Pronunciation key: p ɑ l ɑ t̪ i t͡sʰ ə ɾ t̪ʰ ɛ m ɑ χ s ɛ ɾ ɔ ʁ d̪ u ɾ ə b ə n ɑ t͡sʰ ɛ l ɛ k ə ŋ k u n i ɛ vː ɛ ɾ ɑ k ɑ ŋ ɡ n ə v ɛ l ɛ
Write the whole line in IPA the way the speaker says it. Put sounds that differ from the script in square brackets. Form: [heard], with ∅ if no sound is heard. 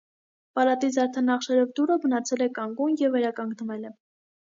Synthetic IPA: p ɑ l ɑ t̪ i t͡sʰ [ɑ] ɾ t̪ʰ ɛ [n] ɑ χ [ʃ] ɛ ɾ ɔ [v] d̪ u ɾ ə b ə n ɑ t͡sʰ ɛ l ɛ k [ɑ] ŋ [ɡ] u n [j] ɛ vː ɛ ɾ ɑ k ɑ ŋ ɡ n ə v ɛ l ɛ